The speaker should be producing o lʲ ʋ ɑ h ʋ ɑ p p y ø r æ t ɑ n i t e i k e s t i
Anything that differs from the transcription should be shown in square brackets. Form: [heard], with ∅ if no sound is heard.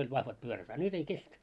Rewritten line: o lʲ ʋ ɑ h ʋ ɑ [t] p y ø r æ t ɑ n [y] t e i k e s t [æ]